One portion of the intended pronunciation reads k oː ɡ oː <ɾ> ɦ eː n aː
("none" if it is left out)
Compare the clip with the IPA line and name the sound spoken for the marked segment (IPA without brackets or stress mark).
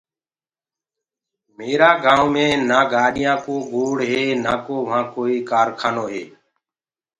ɽ